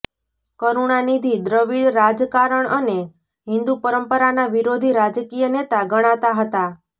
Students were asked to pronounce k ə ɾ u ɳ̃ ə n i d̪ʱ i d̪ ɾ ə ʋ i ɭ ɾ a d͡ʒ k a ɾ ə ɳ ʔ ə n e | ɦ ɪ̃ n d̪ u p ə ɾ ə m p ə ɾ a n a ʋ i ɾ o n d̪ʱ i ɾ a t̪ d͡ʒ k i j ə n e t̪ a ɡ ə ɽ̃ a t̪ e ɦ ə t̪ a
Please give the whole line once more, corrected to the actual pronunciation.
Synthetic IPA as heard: k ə ɾ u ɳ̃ a n i d̪ʱ i d̪ ɾ ə ʋ i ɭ ɾ a d͡ʒ k a ɾ ə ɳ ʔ ə n e | ɦ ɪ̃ n d̪ u p ə ɾ ə m p ə ɾ a n a ʋ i ɾ o d̪ʱ i ɾ a d͡ʒ k i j ə n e t̪ a ɡ ə ɽ̃ a t̪ a ɦ ə t̪ a